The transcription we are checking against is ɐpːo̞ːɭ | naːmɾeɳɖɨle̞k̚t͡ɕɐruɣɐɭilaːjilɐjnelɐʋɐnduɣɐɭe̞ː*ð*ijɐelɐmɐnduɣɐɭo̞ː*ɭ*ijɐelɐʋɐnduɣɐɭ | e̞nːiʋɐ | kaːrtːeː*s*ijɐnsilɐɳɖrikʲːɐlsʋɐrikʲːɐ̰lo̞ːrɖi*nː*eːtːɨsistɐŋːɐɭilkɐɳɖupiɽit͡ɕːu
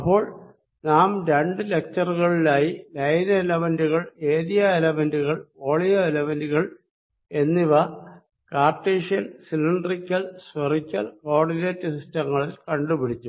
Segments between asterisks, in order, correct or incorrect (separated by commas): correct, correct, incorrect, incorrect